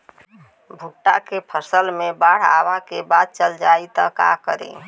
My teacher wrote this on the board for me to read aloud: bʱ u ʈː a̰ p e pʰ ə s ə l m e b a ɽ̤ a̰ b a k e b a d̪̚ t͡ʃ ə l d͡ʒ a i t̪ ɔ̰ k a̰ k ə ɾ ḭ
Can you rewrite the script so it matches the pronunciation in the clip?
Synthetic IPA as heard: bʱ u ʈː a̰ k e pʰ ə s ə l m e b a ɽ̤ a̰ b a k e b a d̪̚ t͡ʃ ə l d͡ʒ a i t̪ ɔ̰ k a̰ k ə ɾ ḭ